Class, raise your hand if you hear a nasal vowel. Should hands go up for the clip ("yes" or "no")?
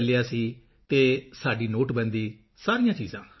yes